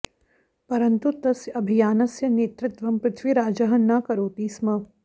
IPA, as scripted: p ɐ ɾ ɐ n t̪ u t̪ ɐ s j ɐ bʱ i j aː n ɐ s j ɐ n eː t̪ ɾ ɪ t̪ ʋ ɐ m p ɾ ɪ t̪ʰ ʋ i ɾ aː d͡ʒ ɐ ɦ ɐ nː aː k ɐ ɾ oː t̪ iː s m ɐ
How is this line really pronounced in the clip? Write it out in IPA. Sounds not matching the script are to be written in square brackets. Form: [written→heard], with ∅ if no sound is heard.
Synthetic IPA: p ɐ ɾ ɐ n t̪ u t̪ ɐ s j ɐ bʱ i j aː n ɐ s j ɐ n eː t̪ ɾ ɪ t̪ ʋ ɐ m p ɾ ɪ t̪ʰ ʋ i ɾ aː d͡ʒ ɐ ɦ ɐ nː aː k ɐ ɾ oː t̪ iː s m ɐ